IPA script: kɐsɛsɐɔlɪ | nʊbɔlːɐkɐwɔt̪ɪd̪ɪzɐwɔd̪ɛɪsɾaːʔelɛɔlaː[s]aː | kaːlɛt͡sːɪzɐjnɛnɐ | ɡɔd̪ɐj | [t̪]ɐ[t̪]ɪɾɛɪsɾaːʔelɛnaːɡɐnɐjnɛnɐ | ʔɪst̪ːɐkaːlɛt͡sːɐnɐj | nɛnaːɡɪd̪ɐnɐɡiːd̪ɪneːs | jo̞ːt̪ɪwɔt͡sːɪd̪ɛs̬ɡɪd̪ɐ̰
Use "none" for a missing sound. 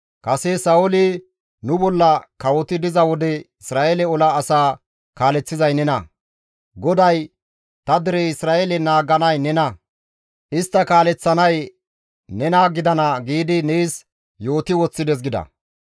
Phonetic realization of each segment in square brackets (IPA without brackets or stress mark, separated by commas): s, t̪, d̪